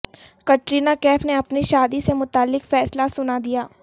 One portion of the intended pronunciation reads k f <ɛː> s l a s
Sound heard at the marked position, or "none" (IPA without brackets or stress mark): ɛː